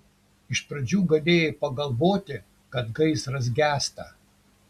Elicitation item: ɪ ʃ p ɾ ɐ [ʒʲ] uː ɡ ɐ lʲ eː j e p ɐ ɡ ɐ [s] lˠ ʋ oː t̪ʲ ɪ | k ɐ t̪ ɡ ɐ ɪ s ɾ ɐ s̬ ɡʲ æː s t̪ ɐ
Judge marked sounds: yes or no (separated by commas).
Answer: no, no